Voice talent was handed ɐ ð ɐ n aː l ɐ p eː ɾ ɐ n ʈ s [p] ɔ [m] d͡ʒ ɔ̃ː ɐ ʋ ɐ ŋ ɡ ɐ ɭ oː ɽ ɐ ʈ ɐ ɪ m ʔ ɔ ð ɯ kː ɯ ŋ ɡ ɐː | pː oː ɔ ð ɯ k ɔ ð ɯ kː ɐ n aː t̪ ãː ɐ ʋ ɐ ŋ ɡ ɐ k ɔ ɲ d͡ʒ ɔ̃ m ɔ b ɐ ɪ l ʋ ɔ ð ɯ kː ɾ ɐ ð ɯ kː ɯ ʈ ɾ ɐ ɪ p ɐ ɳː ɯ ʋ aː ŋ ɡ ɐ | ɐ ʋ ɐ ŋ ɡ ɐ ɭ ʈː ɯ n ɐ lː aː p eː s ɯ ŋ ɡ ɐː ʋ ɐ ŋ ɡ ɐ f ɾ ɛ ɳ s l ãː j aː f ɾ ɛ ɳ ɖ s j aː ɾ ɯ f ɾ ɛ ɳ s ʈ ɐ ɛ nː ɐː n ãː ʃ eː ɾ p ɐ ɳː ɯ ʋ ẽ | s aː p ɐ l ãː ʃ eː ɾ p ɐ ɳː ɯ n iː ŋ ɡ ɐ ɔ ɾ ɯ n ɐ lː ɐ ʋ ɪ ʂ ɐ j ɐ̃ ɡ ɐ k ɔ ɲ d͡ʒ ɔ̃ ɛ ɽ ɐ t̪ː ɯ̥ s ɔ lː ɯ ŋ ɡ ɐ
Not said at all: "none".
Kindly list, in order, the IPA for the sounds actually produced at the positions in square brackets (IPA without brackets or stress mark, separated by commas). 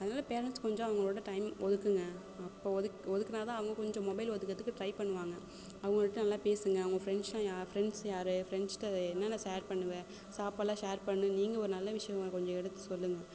k, ɲ